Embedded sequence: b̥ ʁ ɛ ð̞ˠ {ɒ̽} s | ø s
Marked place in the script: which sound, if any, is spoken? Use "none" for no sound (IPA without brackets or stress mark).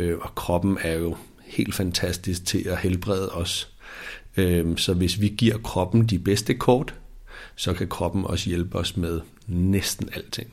ɒ̽